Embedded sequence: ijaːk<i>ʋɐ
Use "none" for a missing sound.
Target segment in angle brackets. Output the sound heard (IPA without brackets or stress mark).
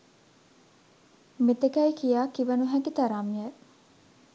i